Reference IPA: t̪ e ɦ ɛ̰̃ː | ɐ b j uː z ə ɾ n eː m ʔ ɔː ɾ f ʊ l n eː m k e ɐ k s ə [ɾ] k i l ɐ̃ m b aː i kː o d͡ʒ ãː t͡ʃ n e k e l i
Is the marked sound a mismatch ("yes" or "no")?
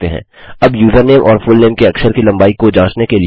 no